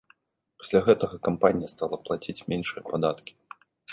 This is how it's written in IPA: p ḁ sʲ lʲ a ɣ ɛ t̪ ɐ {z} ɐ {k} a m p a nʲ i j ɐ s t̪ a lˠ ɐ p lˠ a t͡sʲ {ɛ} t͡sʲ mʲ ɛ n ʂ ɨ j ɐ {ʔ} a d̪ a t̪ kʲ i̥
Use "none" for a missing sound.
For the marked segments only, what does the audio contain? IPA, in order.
ɣ, k, i, p

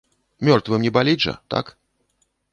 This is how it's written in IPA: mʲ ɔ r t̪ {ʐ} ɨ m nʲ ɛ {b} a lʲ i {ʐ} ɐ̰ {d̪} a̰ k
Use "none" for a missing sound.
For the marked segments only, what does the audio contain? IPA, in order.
v, b, ʐ, t̪

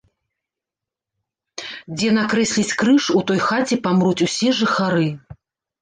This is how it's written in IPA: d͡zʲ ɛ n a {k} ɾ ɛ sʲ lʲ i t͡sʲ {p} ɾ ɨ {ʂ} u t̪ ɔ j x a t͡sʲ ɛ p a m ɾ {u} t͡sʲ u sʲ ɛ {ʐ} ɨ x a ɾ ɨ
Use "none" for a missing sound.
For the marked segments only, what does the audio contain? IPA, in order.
k, k, ʂ, u, ʐ

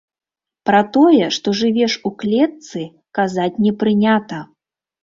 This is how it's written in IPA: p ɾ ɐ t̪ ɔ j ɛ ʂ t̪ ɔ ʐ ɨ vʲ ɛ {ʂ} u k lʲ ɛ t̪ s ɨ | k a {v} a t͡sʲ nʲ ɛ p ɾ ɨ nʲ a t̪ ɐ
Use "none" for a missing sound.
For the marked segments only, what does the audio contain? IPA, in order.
ʂ, z

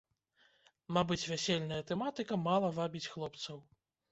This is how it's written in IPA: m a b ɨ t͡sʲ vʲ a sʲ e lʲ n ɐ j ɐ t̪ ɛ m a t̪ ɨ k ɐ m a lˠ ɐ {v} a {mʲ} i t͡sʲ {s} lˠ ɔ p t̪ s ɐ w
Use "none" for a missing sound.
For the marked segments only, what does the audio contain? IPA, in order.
v, bʲ, x

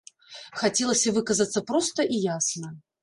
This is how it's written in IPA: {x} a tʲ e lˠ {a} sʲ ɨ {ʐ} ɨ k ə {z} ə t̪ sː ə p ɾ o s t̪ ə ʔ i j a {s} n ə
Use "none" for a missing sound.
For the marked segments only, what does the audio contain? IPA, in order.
x, ə, v, z, s

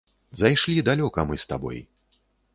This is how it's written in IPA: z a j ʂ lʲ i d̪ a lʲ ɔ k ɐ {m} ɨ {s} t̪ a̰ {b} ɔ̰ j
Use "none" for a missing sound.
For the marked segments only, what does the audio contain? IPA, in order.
m, s, b

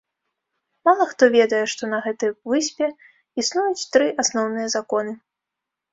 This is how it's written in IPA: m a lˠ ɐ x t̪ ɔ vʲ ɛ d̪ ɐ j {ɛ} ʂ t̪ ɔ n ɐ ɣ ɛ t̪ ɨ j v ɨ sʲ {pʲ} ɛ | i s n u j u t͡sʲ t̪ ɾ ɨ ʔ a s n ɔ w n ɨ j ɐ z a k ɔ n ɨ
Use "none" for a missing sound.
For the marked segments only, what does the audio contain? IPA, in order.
ɛ, pʲ

